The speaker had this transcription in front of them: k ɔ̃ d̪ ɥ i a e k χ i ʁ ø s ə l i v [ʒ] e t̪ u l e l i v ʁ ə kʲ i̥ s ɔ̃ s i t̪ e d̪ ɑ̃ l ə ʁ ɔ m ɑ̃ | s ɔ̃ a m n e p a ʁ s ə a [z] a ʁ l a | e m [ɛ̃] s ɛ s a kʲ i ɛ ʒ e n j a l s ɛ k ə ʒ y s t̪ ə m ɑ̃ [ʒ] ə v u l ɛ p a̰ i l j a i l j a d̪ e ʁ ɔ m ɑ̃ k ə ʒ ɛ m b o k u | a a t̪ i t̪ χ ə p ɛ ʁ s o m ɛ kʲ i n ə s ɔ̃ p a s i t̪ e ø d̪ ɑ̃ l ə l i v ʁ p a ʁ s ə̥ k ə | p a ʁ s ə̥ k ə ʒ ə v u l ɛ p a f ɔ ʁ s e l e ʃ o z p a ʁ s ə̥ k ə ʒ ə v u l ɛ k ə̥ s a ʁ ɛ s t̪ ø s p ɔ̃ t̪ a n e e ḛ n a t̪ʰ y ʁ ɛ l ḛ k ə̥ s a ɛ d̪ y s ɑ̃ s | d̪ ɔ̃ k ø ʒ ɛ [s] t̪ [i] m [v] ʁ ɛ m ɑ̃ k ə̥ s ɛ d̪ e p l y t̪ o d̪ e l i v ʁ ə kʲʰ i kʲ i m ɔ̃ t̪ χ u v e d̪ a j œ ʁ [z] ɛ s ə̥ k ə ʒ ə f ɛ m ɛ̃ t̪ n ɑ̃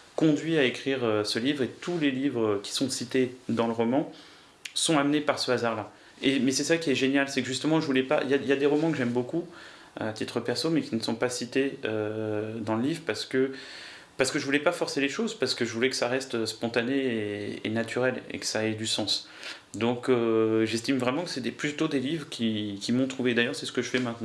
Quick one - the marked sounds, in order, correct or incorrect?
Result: incorrect: ʁ, correct, incorrect: ɛ, correct, correct, correct, correct, incorrect: s

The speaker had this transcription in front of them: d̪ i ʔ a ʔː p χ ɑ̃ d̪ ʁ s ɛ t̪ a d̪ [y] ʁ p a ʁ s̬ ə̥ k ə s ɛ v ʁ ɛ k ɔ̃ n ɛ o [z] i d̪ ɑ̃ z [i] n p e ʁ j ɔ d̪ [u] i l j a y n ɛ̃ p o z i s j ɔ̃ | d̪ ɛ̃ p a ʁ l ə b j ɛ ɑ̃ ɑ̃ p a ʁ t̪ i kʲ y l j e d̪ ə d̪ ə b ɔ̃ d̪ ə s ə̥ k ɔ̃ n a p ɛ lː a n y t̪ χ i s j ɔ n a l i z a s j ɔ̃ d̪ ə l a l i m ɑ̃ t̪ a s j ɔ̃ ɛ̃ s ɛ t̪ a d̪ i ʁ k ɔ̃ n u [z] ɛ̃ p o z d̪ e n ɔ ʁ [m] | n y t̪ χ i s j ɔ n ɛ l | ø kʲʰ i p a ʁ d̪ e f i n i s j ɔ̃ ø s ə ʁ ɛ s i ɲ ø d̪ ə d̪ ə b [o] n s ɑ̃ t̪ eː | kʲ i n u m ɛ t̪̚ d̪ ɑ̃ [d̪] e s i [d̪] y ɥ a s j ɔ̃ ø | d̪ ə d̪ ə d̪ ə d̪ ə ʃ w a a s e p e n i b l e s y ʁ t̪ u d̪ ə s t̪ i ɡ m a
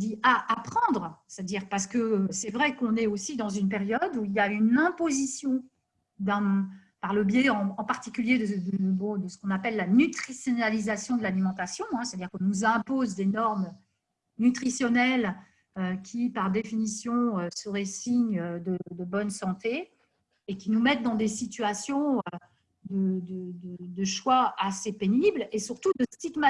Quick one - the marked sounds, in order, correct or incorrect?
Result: incorrect: i, incorrect: s, incorrect: y, correct, correct, correct, incorrect: ɔ, correct, incorrect: t̪

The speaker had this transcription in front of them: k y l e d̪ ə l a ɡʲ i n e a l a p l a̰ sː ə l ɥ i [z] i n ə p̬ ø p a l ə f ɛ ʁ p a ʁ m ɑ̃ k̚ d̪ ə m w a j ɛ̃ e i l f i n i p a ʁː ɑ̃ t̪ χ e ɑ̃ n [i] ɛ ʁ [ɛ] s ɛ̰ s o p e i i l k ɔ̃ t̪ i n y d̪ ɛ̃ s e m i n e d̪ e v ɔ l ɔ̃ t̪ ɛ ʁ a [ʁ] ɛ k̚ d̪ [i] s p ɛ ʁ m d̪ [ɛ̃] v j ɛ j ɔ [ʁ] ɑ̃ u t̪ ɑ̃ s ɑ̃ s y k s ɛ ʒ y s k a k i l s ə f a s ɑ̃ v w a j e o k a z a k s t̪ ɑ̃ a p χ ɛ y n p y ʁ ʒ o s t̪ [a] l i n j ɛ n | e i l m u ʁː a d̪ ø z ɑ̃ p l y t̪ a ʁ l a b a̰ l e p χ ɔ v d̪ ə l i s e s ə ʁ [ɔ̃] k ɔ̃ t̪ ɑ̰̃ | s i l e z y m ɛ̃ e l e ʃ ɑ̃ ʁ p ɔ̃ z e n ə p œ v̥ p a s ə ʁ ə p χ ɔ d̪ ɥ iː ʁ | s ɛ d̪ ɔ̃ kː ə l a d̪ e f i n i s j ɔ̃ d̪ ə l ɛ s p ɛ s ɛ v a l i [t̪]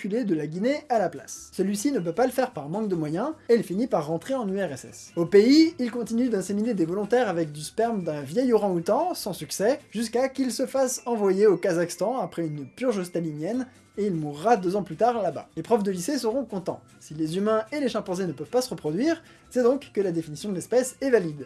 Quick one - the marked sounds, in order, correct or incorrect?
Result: incorrect: s, incorrect: y, correct, incorrect: v, incorrect: y, correct, correct, correct, correct, incorrect: d̪

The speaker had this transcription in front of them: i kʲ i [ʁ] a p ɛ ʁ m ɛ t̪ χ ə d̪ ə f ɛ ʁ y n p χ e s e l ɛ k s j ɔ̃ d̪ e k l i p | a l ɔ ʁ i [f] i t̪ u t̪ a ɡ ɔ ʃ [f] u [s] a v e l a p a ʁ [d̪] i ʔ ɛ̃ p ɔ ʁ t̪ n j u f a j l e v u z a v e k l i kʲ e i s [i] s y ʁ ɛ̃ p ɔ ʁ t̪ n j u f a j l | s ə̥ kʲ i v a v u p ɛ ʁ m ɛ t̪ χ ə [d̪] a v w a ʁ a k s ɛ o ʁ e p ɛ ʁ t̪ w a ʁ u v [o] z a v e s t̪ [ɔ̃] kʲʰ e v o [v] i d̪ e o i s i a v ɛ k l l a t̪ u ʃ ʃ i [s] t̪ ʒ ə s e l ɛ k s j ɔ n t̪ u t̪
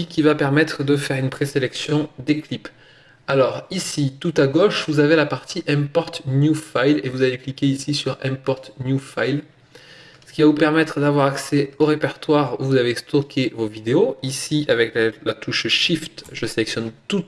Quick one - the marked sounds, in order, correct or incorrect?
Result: incorrect: v, incorrect: s, incorrect: v, incorrect: z, incorrect: t̪, correct, correct, incorrect: u, incorrect: ɔ, correct, incorrect: f

